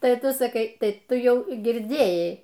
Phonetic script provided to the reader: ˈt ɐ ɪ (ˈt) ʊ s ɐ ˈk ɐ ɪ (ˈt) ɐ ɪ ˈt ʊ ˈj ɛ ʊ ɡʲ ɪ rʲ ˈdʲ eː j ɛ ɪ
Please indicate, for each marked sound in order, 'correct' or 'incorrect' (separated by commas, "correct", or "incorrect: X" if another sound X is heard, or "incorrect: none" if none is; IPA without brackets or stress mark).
correct, correct